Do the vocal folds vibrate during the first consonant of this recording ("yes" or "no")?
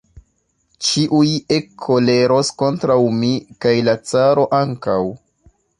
no